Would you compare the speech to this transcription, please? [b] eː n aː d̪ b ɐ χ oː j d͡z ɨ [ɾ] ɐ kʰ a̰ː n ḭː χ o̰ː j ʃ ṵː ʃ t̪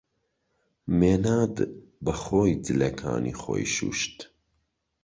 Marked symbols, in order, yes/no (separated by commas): no, no